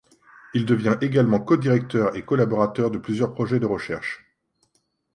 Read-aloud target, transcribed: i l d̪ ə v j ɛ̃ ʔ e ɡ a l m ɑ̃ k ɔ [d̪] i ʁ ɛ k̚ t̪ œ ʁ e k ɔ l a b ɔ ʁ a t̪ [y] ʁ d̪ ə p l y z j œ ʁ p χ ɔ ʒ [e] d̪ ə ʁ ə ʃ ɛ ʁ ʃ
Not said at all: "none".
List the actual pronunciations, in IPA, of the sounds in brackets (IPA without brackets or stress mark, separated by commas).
d̪, œ, ɛ